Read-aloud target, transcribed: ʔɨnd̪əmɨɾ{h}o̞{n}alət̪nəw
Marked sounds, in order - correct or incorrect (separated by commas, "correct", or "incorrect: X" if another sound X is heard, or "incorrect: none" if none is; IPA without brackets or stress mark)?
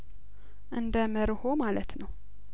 correct, incorrect: m